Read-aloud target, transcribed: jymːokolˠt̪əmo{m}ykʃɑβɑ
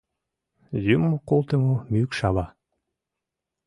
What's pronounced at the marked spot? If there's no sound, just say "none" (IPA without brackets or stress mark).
m